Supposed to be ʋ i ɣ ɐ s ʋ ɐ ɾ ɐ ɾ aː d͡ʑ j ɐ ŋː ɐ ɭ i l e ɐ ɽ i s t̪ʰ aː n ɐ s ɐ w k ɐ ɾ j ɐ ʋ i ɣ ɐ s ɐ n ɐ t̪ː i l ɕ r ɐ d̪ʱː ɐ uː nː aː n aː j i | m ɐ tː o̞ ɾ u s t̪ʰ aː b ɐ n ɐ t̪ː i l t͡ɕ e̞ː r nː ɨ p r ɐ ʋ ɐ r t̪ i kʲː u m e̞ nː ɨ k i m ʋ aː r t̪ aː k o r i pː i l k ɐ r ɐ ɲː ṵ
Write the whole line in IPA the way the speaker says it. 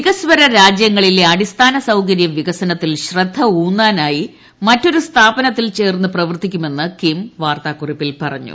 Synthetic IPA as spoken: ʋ i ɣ ɐ s ʋ ɐ ɾ ɐ ɾ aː d͡ʑ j ɐ ŋː ɐ ɭ i l e ɐ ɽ i s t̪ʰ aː n ɐ s ɐ w k ɐ ɾ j ɐ ʋ i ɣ ɐ s ɐ n ɐ t̪ː i l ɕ r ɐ d̪ʱː ɐ uː nː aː n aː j i | m ɐ tː o̞ ɾ u s t̪ʰ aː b ɐ n ɐ t̪ː i l t͡ɕ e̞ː r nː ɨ p r ɐ ʋ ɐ r t̪ i kʲː u m e̞ nː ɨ k i m ʋ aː r t̪ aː k u r i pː i l p ɐ r ɐ ɲː ṵ